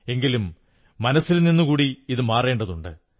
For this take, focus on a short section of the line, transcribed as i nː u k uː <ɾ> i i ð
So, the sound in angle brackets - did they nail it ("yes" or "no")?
no